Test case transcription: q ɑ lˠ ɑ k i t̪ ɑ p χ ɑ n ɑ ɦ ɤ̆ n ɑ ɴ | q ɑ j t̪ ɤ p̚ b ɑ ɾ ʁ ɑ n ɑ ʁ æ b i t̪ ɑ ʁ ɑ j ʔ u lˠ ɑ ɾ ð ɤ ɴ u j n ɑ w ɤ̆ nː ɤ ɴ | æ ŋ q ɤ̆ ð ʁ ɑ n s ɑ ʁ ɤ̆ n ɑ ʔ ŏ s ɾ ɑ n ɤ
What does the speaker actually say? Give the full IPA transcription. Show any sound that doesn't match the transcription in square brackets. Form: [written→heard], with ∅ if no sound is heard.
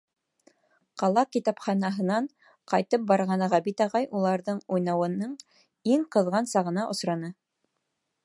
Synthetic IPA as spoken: q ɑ lˠ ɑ k i t̪ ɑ p χ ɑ n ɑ ɦ ɤ̆ n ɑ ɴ | q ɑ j t̪ ɤ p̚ b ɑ ɾ ʁ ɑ n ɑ ʁ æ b i t̪ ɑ ʁ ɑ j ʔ u lˠ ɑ ɾ ð ɤ ɴ u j n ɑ w ɤ̆ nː ɤ ɴ | [æ→i] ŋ q ɤ̆ ð ʁ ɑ n s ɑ ʁ ɤ̆ n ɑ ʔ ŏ s ɾ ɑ n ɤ

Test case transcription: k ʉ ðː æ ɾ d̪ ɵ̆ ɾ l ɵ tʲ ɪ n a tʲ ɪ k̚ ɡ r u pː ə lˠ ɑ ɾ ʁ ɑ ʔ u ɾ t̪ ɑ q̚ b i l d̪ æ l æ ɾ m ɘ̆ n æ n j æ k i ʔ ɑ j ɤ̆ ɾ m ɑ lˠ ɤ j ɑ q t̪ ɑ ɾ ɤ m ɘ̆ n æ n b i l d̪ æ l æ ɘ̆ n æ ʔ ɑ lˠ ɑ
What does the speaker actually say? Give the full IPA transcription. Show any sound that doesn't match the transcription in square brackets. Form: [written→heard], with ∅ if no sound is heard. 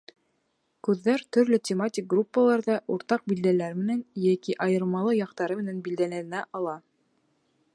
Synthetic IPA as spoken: k ʉ ðː æ ɾ [d̪→t̪] ɵ̆ ɾ l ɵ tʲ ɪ [n→m] a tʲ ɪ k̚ ɡ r u pː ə lˠ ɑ ɾ [ʁ→ð] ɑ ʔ u ɾ t̪ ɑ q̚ b i l d̪ æ l æ ɾ m ɘ̆ n æ n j æ k i ʔ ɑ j ɤ̆ ɾ m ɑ lˠ ɤ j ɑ q t̪ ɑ ɾ ɤ m ɘ̆ n æ n b i l d̪ æ l æ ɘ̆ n æ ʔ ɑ lˠ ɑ

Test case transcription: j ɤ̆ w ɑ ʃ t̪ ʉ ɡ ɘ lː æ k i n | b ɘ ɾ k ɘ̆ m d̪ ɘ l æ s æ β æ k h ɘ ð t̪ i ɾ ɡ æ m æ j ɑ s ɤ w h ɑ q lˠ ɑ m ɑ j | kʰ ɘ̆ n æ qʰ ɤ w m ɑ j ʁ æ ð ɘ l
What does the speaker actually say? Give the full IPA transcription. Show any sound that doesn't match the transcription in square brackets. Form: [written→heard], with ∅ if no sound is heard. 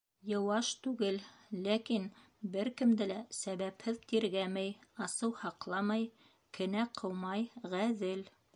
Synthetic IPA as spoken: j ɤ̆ w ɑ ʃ t̪ ʉ ɡ ɘ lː æ k i n | b ɘ ɾ k ɘ̆ m d̪ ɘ l æ s æ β æ [k→p] h ɘ ð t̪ i ɾ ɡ æ m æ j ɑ s ɤ w h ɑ q lˠ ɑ m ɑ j | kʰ ɘ̆ n æ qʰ ɤ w m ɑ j ʁ æ ð ɘ l

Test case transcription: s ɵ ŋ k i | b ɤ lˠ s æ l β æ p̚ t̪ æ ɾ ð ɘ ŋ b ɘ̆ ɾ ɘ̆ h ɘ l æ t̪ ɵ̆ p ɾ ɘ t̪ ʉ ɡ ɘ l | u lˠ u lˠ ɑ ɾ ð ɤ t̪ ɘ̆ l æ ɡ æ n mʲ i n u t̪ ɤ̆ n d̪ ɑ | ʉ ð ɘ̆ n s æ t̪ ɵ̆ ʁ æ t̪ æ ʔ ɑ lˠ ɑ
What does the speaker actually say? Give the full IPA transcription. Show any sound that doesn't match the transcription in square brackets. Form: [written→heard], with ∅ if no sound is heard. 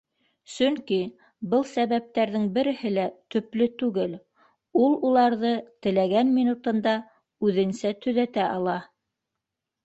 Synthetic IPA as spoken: s ɵ ŋ k i | b ɤ lˠ s æ [l→∅] β æ p̚ t̪ æ ɾ ð ɘ ŋ b ɘ̆ ɾ ɘ̆ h ɘ l æ t̪ ɵ̆ p [ɾ→l] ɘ t̪ ʉ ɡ ɘ l | u lˠ u lˠ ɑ ɾ ð ɤ t̪ ɘ̆ l æ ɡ æ n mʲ i n u t̪ ɤ̆ n d̪ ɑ | ʉ ð ɘ̆ n s æ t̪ ɵ̆ [ʁ→ð] æ t̪ æ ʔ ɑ lˠ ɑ

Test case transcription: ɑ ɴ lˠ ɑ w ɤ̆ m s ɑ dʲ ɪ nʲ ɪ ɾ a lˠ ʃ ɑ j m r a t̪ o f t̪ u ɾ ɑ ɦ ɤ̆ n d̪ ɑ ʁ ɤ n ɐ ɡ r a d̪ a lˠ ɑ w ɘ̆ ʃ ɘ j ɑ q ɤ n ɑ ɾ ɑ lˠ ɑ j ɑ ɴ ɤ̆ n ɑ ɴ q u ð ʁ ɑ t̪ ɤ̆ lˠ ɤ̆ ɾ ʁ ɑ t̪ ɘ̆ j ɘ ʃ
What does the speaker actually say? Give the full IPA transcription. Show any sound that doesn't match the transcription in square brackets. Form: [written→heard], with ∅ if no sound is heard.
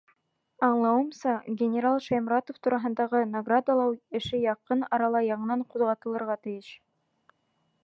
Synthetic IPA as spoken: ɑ ɴ lˠ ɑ w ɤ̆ m s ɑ [dʲ→ɡʲ] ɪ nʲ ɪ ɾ a lˠ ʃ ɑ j m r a t̪ o f t̪ u ɾ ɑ ɦ ɤ̆ n d̪ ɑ ʁ ɤ n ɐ ɡ r a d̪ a lˠ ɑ w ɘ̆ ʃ ɘ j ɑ q ɤ n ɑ ɾ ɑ lˠ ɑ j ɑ ɴ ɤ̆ n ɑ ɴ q u ð ʁ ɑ t̪ ɤ̆ lˠ ɤ̆ ɾ ʁ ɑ t̪ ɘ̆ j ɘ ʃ

